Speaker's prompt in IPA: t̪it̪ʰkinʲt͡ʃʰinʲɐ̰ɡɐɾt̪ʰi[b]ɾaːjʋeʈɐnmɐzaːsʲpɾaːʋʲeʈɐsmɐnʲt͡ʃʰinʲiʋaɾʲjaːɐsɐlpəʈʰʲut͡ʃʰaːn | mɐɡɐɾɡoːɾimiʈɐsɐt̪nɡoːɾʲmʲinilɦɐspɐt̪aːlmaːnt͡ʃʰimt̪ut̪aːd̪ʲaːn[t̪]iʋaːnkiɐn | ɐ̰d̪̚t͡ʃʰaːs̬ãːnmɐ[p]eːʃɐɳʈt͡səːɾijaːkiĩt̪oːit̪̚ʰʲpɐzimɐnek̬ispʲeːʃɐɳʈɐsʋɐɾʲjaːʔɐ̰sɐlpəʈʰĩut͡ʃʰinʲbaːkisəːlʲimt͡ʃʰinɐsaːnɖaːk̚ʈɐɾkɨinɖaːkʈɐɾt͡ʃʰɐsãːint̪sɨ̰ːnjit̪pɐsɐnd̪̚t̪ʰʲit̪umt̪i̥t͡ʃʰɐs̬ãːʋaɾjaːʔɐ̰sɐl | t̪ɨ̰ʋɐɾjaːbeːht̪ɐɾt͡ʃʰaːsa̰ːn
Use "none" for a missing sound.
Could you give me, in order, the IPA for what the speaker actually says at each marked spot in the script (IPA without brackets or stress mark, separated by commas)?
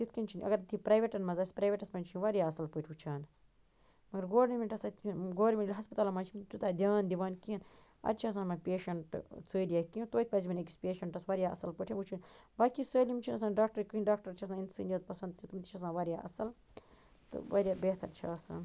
p, d̪, p